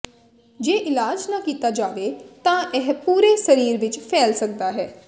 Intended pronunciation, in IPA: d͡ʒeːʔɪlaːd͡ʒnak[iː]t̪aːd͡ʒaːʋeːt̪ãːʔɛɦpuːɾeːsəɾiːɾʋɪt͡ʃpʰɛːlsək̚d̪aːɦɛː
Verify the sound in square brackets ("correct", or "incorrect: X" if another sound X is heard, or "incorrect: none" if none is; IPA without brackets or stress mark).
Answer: correct